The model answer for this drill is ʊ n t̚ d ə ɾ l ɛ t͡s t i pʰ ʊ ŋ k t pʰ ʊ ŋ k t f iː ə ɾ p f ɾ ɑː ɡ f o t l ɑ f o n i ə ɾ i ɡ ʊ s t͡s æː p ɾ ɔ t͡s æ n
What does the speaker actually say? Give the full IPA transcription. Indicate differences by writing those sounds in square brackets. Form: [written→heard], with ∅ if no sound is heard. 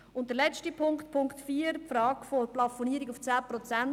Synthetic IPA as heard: ʊ n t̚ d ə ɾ l ɛ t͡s t i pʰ ʊ ŋ k t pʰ ʊ ŋ k t f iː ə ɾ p f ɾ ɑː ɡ f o [t→p] l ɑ f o n i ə ɾ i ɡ ʊ [s→f] t͡s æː p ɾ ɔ t͡s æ n